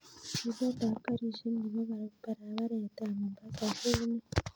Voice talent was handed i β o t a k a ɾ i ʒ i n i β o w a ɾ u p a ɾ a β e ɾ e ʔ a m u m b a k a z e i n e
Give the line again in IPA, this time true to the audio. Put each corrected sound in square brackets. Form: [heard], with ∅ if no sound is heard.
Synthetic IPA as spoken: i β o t a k a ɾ i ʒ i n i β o [β] a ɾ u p a ɾ a β [a] ɾ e [t] a m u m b a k a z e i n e